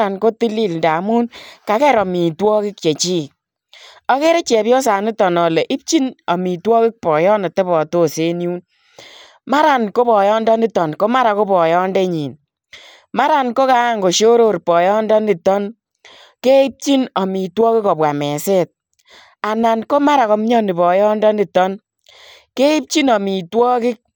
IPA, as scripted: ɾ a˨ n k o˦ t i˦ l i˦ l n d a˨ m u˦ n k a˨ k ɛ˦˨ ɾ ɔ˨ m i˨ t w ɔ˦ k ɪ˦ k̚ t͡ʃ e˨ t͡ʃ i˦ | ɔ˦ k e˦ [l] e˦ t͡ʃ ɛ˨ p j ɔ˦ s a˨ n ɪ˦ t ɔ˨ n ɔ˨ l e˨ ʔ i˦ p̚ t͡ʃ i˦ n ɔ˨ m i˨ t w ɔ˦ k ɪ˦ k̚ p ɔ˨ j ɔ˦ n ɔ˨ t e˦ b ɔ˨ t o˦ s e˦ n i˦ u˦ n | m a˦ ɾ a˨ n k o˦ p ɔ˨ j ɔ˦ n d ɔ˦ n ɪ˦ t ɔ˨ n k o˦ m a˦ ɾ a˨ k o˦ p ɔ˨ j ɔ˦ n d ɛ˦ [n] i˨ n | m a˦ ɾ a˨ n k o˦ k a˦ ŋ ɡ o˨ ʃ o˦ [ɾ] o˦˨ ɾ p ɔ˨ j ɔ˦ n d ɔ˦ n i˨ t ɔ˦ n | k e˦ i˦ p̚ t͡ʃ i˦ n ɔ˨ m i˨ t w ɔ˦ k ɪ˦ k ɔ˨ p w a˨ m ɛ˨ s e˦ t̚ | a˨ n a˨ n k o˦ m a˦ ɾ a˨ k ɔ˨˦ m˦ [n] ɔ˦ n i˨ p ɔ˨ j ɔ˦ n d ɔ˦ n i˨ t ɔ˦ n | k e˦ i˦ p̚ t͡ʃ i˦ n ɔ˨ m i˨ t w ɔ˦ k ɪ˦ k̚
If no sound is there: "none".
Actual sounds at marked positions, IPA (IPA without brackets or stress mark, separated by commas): ɾ, ɲ, ɾ, ɲ